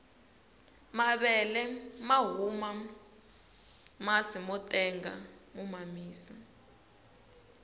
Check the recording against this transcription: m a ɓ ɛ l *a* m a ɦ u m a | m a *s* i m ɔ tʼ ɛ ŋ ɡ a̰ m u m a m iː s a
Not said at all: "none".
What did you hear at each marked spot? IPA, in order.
ɛ, s

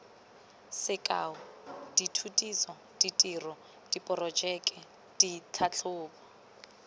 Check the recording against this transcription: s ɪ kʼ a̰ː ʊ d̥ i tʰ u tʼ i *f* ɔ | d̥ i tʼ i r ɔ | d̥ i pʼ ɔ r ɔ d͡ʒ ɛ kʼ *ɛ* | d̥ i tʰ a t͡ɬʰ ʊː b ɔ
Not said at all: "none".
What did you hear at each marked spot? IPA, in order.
s, ɛ

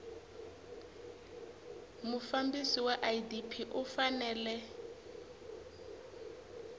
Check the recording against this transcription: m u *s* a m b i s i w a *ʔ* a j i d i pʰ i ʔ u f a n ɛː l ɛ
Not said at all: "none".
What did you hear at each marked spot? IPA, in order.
f, ʔ

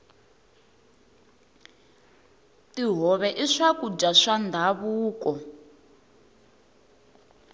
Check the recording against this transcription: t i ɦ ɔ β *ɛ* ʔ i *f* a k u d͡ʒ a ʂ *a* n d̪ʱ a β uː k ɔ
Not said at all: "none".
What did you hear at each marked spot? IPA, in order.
ɛ, ʂ, a

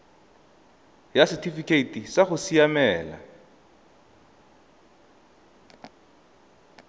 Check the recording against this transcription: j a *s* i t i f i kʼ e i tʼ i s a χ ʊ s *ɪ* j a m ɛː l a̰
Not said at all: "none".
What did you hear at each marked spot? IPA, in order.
s, i

